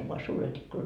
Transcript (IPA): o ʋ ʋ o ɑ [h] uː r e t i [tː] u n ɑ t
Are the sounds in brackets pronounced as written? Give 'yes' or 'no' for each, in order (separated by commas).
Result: no, no